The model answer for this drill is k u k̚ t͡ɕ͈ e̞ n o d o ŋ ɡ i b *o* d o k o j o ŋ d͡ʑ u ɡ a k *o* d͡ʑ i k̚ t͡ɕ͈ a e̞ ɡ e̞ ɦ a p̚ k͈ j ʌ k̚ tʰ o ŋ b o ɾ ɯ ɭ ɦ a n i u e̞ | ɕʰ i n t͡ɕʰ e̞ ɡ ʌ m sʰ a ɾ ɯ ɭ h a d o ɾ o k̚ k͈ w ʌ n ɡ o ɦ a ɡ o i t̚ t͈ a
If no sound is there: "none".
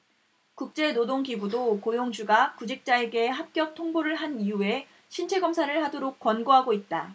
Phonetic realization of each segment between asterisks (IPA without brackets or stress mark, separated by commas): u, u